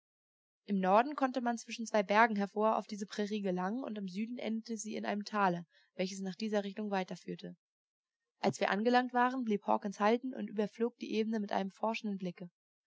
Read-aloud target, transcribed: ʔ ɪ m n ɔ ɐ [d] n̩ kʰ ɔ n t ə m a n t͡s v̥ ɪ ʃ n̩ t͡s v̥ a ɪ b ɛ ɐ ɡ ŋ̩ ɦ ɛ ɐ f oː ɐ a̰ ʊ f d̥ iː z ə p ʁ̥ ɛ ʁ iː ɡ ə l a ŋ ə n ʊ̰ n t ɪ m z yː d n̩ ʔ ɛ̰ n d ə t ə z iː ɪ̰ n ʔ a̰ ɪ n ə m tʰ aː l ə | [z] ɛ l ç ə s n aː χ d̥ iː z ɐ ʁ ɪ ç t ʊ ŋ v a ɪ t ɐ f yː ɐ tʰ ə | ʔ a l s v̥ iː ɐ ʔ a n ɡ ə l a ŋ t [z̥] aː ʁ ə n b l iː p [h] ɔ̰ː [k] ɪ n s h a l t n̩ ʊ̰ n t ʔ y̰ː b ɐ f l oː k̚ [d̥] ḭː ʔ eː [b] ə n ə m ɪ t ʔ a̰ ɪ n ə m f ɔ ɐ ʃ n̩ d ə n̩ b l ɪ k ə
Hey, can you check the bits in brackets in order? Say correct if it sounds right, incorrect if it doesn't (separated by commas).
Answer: correct, incorrect, incorrect, correct, correct, correct, correct